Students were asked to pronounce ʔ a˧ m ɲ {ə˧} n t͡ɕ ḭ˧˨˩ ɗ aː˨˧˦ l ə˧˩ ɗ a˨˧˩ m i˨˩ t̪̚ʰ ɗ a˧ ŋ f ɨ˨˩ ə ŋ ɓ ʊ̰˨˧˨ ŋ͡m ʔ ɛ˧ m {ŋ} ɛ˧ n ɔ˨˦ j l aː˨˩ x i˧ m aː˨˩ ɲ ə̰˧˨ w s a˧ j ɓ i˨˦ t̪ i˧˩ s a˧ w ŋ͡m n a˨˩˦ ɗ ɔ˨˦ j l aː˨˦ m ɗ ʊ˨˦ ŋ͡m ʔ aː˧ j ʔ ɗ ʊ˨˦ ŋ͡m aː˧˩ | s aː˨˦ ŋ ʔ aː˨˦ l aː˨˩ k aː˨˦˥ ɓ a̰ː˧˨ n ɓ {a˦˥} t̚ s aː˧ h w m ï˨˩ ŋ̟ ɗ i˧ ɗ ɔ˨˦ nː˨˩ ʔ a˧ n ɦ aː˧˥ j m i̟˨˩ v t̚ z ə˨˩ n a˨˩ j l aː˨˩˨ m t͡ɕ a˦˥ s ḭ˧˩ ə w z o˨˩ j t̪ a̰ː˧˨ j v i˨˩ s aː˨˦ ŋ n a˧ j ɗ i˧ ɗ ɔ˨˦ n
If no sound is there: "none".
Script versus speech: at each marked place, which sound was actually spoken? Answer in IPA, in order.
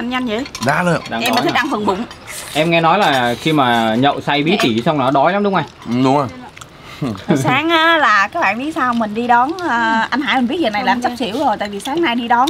a˧, ŋ, i˦˥

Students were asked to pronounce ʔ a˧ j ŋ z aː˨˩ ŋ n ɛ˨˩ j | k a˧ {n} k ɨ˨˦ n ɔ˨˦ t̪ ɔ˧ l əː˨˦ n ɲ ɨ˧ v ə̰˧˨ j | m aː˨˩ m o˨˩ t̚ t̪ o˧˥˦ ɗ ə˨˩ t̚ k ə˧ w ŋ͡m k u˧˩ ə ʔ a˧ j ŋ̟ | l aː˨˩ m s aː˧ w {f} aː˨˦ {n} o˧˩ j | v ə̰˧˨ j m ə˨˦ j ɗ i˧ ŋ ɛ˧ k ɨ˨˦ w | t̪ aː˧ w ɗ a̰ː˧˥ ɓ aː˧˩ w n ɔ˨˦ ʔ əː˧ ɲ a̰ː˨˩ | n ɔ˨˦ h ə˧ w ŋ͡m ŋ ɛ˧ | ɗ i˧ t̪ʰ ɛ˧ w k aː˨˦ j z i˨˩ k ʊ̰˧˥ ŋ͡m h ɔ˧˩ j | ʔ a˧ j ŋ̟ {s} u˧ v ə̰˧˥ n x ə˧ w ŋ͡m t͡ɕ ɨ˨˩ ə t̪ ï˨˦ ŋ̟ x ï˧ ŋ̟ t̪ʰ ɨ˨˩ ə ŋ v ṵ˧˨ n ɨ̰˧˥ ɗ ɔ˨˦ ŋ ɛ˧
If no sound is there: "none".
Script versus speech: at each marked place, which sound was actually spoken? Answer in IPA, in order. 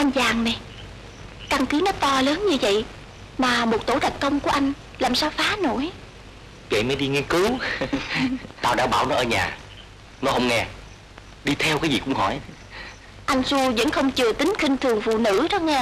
ŋ, f, n, s

